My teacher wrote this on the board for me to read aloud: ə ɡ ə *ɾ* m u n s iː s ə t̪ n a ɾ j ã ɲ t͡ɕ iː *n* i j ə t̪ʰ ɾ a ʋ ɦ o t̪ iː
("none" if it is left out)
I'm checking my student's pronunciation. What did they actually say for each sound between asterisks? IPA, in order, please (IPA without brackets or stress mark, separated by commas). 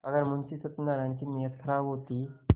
ɾ, n